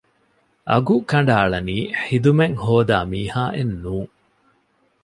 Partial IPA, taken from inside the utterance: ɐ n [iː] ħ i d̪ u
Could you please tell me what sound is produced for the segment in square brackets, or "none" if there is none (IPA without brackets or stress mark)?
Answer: iː